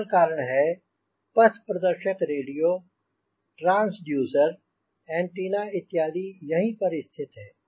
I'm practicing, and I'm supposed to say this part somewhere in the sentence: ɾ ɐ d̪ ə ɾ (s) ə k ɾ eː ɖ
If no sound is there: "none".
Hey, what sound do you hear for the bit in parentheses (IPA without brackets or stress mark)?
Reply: ʃ